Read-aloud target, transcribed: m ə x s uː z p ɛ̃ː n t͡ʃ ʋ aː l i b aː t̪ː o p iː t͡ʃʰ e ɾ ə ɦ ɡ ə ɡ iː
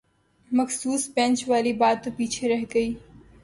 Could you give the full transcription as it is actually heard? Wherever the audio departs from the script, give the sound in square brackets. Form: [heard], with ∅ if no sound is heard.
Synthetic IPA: m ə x s uː [s] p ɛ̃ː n t͡ʃ ʋ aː l i b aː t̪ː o p iː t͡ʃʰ e ɾ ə ɦ ɡ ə [∅] iː